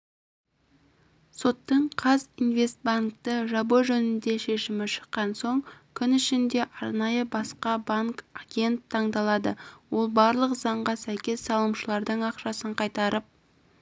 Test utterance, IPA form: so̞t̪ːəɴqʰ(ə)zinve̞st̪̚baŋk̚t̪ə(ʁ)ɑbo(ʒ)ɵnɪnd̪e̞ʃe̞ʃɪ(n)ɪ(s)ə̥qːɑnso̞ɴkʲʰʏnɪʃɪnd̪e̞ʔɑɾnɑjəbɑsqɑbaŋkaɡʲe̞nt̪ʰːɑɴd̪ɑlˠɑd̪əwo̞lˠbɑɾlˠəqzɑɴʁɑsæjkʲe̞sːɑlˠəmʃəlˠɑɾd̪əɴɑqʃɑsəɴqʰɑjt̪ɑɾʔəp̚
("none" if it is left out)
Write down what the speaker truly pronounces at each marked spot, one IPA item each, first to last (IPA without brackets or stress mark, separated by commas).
ɑ, ʒ, ʒ, m, ʃ